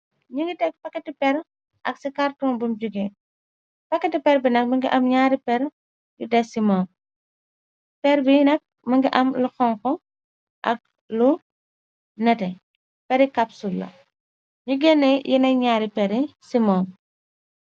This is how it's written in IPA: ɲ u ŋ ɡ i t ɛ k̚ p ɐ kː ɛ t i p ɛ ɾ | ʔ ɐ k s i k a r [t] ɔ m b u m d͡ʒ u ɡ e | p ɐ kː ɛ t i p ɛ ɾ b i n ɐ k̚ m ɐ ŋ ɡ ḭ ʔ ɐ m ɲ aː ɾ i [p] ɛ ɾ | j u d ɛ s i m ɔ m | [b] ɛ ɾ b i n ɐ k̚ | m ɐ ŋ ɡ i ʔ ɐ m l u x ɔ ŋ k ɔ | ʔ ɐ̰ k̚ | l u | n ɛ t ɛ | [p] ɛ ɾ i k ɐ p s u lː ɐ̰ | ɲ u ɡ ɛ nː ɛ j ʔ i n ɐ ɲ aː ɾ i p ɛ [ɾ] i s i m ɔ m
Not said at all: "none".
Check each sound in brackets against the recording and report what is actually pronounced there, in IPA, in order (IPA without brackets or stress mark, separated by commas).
t, p, p, p, ɾ